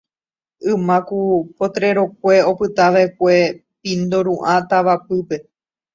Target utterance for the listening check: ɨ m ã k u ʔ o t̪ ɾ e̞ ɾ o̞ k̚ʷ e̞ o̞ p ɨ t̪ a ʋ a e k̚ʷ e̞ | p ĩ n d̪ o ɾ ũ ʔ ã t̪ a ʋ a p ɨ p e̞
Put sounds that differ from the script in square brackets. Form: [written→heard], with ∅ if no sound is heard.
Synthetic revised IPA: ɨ m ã k u [ʔ→p] o t̪ ɾ e̞ ɾ o̞ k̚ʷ e̞ o̞ p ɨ t̪ a ʋ a e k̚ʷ e̞ | p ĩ n d̪ o ɾ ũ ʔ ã t̪ a ʋ a p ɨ p e̞